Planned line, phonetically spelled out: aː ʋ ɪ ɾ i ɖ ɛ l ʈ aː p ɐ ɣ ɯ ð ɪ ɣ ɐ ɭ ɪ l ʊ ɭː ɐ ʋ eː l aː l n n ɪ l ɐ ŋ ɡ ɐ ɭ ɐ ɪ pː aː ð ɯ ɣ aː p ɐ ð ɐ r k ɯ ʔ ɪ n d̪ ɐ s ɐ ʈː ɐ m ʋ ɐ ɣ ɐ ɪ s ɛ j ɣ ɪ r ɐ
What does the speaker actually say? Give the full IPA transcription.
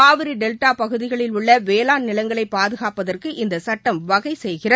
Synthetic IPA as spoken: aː ʋ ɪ ɾ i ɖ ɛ l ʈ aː p ɐ ɣ ɯ ð ɪ ɣ ɐ ɭ ɪ l ʊ ɭː ɐ ʋ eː l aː n n ɪ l ɐ ŋ ɡ ɐ ɭ ɐ ɪ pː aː ð ɯ ɣ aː p ɐ ð ɐ r k ɯ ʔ ɪ n d̪ ɐ s ɐ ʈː ɐ m ʋ ɐ ɣ ɐ ɪ s ɛ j ɣ ɪ r ɐ